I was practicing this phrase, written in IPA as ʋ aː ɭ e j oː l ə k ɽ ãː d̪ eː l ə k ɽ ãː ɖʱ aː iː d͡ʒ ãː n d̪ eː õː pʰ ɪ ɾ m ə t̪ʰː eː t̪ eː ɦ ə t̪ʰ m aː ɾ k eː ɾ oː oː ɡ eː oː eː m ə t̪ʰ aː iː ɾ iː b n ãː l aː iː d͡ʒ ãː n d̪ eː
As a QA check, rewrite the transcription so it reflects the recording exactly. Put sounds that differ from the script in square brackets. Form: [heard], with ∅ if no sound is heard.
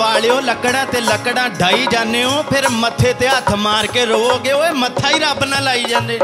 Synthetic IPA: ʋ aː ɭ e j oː l ə k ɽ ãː [t̪] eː l ə k ɽ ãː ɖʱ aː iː d͡ʒ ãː n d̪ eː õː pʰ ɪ ɾ m ə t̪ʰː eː t̪ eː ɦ ə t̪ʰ m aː ɾ k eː ɾ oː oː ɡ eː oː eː m ə t̪ʰ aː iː ɾ [aː] b n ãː l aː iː d͡ʒ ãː n d̪ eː